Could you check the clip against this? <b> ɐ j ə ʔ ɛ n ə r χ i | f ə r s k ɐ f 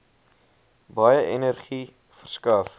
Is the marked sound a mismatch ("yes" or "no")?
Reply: no